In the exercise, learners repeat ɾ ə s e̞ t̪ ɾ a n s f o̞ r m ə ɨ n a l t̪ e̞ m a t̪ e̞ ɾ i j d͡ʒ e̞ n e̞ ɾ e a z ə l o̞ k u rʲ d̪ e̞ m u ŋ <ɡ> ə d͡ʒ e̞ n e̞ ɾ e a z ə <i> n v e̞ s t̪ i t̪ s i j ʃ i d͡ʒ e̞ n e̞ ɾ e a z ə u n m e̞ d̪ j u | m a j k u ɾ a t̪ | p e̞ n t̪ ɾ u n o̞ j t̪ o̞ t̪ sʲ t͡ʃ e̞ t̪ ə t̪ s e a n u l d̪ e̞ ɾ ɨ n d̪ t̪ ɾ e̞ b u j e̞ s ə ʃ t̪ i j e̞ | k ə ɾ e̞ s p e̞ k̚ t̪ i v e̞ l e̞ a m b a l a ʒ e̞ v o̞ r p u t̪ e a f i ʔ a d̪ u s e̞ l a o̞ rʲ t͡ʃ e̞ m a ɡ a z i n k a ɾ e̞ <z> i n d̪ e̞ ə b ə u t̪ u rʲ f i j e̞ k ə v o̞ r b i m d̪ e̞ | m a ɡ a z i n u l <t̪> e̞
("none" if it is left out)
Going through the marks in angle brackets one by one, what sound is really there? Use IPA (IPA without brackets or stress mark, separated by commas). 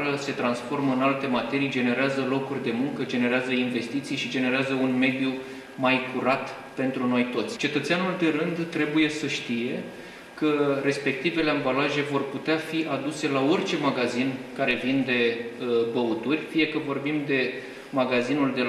k, i, v, d̪